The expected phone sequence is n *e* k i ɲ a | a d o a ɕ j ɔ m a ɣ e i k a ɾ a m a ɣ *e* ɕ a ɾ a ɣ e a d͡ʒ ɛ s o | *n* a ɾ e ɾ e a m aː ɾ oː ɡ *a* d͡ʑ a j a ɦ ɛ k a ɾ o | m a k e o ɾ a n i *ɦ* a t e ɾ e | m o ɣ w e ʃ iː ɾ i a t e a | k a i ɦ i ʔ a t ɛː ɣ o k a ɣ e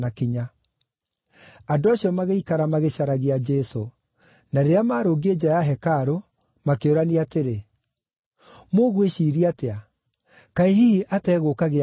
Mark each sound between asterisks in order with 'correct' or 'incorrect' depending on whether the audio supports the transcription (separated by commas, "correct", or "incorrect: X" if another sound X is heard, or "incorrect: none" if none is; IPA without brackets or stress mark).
incorrect: a, correct, correct, incorrect: e, incorrect: none